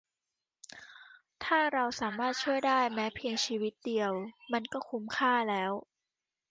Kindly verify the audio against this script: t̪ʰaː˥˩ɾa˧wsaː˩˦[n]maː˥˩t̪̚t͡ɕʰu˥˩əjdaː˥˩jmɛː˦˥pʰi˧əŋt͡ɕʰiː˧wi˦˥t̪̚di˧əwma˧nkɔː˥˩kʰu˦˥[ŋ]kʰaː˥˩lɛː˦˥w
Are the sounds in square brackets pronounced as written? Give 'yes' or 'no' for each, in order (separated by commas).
no, no